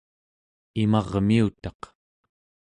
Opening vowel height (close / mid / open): close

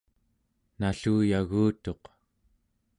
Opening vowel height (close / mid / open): open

